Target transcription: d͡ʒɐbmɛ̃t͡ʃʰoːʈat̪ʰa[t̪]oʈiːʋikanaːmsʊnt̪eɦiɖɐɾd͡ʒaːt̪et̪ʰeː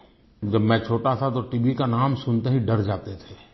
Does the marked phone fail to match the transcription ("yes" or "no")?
no